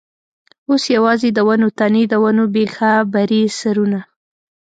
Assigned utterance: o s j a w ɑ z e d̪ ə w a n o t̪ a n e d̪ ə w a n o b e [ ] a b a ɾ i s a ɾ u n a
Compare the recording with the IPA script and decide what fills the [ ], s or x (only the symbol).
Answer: x